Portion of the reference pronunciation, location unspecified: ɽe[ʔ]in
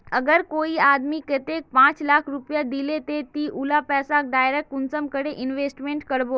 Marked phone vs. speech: correct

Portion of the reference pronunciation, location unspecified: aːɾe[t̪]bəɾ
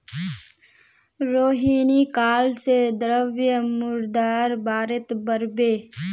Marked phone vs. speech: correct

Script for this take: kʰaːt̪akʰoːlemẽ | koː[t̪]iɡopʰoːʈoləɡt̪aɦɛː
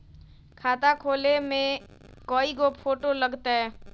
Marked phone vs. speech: incorrect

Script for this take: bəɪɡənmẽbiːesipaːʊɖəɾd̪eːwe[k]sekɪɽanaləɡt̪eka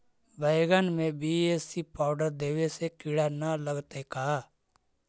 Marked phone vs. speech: incorrect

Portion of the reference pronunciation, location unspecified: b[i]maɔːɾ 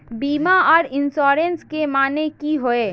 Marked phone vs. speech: incorrect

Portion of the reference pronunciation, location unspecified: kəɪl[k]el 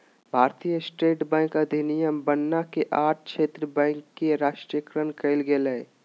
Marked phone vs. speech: incorrect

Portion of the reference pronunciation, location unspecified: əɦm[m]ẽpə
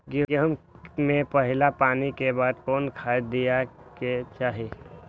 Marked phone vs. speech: correct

